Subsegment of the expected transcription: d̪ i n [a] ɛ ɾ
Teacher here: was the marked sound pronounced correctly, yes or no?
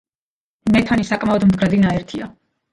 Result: yes